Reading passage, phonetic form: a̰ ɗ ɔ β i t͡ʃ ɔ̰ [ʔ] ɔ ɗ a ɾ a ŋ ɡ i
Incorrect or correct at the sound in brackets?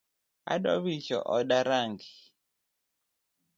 correct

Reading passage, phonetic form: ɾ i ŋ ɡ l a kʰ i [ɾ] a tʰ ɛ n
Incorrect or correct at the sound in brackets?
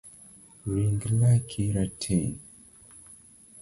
correct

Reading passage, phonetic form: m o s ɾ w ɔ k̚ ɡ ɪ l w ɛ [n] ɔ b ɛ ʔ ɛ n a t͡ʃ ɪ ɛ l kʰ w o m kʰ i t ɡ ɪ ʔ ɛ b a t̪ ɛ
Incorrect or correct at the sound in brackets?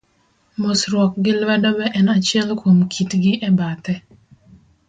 incorrect: d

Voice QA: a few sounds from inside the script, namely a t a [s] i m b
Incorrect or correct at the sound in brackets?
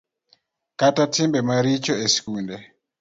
incorrect: t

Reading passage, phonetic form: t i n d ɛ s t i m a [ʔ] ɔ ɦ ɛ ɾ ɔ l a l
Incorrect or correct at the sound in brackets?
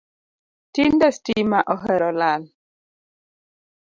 correct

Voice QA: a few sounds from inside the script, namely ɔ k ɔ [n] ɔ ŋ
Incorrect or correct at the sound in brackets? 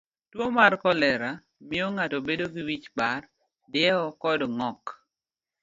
incorrect: d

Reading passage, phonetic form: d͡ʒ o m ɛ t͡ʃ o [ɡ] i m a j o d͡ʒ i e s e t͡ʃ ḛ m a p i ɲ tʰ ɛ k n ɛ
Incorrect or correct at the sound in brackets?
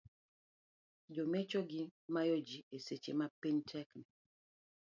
correct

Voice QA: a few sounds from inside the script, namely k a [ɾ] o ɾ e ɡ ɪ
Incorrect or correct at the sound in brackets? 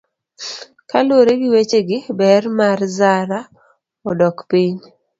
incorrect: l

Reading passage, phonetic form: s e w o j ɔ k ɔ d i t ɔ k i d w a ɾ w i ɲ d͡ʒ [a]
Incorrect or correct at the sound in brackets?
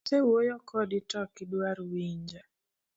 correct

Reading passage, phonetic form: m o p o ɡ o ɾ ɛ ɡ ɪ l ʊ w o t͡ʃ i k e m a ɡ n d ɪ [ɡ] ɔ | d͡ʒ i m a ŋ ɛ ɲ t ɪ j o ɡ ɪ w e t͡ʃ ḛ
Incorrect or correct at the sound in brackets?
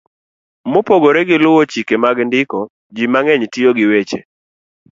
incorrect: k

